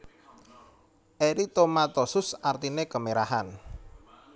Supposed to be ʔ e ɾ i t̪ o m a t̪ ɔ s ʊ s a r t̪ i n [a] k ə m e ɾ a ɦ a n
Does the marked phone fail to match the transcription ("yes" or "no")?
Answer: yes